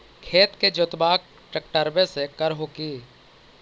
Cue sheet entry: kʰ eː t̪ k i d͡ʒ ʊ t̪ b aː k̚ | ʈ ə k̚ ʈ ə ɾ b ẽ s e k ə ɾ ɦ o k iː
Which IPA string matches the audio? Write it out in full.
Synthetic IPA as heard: kʰ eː t̪ k e d͡ʒ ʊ t̪ b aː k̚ | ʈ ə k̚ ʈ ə ɾ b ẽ s e k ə ɾ ɦ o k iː